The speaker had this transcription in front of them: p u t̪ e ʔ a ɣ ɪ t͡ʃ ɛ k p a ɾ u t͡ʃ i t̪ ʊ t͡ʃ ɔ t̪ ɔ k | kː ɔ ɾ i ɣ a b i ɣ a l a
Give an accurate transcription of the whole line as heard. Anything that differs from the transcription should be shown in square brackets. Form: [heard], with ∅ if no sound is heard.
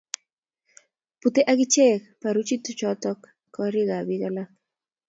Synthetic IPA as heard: p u t̪ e ʔ a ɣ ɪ t͡ʃ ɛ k p a ɾ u t͡ʃ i t̪ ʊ t͡ʃ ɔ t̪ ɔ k | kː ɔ ɾ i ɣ a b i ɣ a l a

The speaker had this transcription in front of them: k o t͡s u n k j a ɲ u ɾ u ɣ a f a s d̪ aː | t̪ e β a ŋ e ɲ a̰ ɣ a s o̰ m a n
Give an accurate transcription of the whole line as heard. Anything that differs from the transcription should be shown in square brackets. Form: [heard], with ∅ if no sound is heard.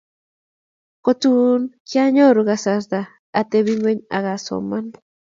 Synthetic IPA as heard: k o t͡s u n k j a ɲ [o] ɾ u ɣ a [s] a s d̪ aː | t̪ e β [i] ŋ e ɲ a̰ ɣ a s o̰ m a n

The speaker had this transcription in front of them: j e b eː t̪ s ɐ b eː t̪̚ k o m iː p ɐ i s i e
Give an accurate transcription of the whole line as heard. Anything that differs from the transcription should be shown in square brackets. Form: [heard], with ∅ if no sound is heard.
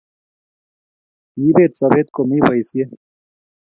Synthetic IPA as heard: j [i] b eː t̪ s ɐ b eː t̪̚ k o m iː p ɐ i s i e

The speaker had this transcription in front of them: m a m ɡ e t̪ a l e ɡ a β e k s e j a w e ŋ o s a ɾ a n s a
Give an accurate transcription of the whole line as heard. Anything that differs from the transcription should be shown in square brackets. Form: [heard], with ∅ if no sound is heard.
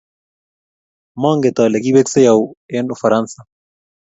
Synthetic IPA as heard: m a [ŋ] ɡ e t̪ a l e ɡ [i] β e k s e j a w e [n] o [f] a ɾ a n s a

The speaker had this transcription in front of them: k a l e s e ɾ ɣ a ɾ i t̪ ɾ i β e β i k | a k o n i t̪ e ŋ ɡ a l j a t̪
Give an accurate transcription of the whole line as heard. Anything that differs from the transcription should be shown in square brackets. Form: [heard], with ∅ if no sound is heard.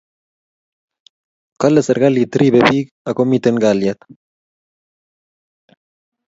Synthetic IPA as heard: k a l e s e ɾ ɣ a [l] i t̪ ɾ i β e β i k | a k o [m] i t̪ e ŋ ɡ a l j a t̪

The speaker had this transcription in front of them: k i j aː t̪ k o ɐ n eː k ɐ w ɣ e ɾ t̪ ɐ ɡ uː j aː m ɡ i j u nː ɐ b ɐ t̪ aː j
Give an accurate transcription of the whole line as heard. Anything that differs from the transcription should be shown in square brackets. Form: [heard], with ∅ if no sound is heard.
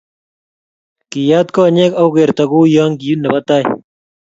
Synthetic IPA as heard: k i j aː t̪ k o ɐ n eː k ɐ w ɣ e ɾ t̪ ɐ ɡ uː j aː [ŋ] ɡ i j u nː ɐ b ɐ t̪ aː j

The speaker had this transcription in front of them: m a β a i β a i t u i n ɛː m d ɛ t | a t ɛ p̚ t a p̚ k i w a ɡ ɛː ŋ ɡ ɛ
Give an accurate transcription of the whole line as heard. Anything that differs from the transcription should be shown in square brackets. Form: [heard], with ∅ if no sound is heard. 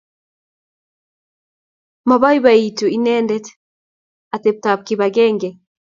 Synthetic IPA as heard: m a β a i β a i t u i n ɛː [n] d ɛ t | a t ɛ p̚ t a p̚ k i [β] a ɡ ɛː ŋ ɡ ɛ

